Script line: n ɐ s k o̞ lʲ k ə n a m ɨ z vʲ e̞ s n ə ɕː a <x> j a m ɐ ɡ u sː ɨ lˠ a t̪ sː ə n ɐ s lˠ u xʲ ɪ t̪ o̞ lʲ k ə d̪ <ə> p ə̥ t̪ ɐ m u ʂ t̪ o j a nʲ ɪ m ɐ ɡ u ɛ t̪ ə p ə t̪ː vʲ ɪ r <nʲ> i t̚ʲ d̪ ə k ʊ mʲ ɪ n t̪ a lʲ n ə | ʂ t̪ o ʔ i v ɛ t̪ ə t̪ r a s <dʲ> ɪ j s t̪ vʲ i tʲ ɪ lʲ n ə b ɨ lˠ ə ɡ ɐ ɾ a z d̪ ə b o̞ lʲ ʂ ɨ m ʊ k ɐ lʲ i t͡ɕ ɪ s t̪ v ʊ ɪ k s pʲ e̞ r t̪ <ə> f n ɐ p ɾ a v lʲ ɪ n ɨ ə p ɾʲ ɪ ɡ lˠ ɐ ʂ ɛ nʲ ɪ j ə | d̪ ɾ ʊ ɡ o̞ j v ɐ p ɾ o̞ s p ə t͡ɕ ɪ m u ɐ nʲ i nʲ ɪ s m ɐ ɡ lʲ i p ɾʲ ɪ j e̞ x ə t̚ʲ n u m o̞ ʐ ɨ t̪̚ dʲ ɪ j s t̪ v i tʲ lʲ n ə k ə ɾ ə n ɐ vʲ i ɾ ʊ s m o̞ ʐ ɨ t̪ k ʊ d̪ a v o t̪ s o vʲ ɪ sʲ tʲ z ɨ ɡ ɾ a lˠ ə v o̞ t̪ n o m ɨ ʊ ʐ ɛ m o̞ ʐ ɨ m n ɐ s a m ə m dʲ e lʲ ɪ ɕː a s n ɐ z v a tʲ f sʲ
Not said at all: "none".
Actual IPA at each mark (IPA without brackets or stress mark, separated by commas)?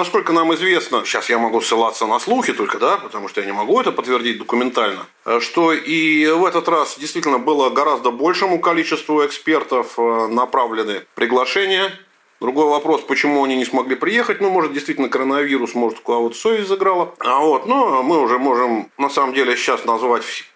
s, a, dʲ, dʲ, ə